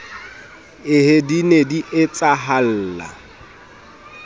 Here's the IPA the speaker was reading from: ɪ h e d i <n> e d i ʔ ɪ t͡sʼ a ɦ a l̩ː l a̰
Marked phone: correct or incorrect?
correct